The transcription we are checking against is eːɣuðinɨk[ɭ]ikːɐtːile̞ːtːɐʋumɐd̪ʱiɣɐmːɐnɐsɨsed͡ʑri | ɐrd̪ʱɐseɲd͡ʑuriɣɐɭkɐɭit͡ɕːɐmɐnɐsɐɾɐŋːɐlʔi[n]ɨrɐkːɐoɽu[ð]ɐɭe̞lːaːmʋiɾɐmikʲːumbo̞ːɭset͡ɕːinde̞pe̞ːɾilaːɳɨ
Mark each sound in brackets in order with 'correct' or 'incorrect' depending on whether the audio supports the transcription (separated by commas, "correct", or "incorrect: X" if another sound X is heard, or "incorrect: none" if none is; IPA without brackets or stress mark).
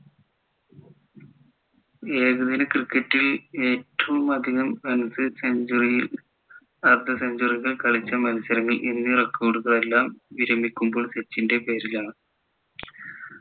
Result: incorrect: r, incorrect: nː, incorrect: ɣ